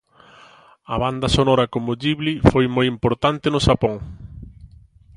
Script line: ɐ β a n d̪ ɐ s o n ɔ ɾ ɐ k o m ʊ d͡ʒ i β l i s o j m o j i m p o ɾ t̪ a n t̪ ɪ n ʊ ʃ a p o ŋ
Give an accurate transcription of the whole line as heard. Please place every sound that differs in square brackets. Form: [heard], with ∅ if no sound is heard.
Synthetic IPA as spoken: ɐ β a n d̪ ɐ s o n ɔ ɾ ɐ k o m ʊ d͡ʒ i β l i [f] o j m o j i m p o ɾ t̪ a n t̪ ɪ n ʊ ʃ a p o ŋ